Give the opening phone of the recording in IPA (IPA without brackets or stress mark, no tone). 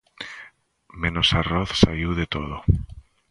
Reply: m